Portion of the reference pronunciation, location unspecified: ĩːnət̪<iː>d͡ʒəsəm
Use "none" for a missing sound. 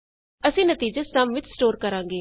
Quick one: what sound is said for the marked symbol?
iː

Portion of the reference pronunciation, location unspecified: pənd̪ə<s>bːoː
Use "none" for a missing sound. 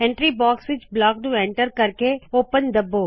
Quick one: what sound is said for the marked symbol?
none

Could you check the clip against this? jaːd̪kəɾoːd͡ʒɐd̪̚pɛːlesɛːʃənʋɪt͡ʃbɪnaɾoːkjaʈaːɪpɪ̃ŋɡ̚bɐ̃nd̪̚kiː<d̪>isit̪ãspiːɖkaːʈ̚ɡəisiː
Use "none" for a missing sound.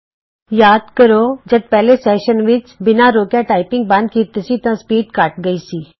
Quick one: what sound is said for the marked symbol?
t̪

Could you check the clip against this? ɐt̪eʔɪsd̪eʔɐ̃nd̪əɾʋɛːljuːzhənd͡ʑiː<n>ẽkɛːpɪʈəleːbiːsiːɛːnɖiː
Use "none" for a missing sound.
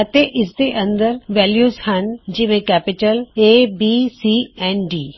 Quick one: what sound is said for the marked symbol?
m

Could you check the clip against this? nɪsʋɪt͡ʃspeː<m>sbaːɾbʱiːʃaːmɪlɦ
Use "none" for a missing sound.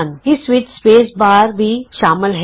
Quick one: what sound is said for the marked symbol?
none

